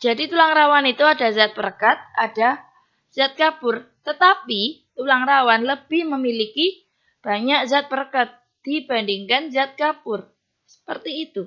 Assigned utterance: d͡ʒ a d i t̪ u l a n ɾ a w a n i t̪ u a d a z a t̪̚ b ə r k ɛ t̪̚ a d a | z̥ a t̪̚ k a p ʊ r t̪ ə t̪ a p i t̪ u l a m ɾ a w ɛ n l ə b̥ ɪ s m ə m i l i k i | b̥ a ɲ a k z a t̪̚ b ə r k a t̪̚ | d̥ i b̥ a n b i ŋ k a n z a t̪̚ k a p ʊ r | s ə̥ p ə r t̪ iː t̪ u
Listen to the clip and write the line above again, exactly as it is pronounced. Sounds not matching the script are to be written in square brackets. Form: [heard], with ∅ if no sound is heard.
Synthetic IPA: d͡ʒ a d i t̪ u l a [ŋ] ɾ a w a n i t̪ u a d a z a t̪̚ b ə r k [a] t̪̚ a d a | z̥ a t̪̚ k a p ʊ r t̪ ə t̪ a p i t̪ u l a [ŋ] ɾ a w [a] n l ə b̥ ɪ [h] m ə m i l i k i | b̥ a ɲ a k z a t̪̚ b ə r k a t̪̚ | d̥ i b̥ a n [d] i ŋ k a n z a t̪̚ k a p ʊ r | s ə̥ p ə r t̪ iː t̪ u

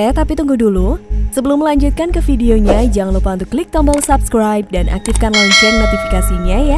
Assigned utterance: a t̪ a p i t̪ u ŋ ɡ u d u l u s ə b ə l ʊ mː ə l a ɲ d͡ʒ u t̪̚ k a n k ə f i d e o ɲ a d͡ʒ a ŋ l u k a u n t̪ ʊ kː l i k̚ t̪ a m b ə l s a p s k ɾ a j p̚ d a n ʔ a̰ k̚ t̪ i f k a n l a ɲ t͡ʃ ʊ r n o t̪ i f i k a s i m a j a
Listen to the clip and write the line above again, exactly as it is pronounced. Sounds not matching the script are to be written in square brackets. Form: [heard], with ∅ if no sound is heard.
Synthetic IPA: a t̪ a p i t̪ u ŋ ɡ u d u l u s ə b ə l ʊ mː ə l a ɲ d͡ʒ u t̪̚ k a n k ə f i d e o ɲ a d͡ʒ a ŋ l u [p] a u n t̪ ʊ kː l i k̚ t̪ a m b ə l s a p s k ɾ a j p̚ d a n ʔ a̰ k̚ t̪ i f k a n l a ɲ t͡ʃ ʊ r n o t̪ i f i k a s i [ɲ] a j a

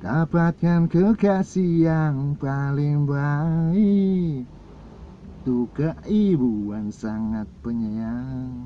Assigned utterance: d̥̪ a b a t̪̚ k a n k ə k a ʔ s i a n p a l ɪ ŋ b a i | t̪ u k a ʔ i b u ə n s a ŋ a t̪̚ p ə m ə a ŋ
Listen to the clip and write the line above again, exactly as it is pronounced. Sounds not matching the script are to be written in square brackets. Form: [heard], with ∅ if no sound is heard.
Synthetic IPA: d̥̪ a b a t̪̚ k a n k ə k a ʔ s i a [ŋ] p a l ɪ ŋ b a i | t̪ u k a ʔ i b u [a] n s a ŋ a t̪̚ p ə [ɲ] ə a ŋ

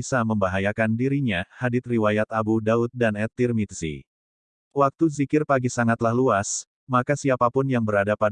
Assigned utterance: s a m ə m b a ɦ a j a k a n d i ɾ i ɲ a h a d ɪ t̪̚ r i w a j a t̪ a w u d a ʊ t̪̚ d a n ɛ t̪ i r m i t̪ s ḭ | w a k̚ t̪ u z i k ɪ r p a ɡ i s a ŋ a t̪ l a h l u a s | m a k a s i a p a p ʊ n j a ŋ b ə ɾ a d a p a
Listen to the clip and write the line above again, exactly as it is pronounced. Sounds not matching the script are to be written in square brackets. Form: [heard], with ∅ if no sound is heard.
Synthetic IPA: s a m ə m b a ɦ a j a k a n d i ɾ i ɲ a h a d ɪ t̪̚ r i w a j a t̪ a [b] u d a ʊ t̪̚ d a n ɛ t̪ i r m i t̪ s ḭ | w a k̚ t̪ u z i k ɪ r p a ɡ i s a ŋ a t̪ l a h l u a s | m a k a s i a p a p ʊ n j a ŋ b ə ɾ a d a p a

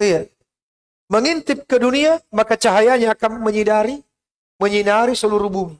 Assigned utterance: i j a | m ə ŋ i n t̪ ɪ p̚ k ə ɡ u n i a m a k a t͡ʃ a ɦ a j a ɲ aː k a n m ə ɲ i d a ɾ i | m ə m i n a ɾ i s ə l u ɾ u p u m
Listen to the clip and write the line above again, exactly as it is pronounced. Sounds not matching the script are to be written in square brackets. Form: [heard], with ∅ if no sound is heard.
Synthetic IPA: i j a | m ə ŋ i n t̪ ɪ p̚ k ə [d] u n i a m a k a t͡ʃ a ɦ a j a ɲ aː k a n m ə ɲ i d a ɾ i | m ə [ɲ] i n a ɾ i s ə l u ɾ u [b] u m

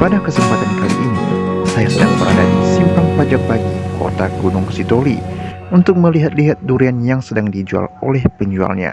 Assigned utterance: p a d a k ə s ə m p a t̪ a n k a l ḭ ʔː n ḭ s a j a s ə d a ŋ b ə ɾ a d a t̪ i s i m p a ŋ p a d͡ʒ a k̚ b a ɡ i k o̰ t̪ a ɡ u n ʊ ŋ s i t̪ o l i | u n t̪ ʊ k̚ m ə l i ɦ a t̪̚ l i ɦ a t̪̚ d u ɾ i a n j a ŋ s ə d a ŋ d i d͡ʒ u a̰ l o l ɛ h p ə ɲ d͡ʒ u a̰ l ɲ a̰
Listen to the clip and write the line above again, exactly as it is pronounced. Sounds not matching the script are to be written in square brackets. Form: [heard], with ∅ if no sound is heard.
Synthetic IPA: p a d a k ə s ə m p a t̪ a n k a l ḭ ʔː n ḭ s a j a s ə d a ŋ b ə ɾ a d a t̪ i s i m p a ŋ p a d͡ʒ a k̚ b a ɡ i k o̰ t̪ a ɡ u n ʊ ŋ s i t̪ o l i | u n t̪ ʊ k̚ m ə l i ɦ a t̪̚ l i ɦ a t̪̚ d u ɾ i a n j a ŋ s ə d a ŋ d i d͡ʒ u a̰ l o l ɛ h p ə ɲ d͡ʒ u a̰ l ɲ a̰

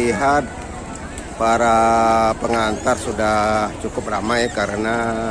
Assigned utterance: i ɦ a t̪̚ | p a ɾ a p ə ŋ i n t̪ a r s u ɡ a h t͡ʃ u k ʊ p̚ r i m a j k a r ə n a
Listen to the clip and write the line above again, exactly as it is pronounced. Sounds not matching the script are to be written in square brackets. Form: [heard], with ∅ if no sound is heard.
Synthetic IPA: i ɦ a t̪̚ | p a ɾ a p ə ŋ [a] n t̪ a r s u [d] a h t͡ʃ u k ʊ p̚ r [a] m a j k a [ɾ] ə n a

